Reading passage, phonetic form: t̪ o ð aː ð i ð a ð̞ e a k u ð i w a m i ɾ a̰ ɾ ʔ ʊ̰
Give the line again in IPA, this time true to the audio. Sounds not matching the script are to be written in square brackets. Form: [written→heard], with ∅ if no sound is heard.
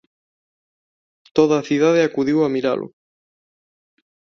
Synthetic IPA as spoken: t̪ o ð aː [ð→θ] i ð a ð̞ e a k u ð i w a m i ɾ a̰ [ɾ→l] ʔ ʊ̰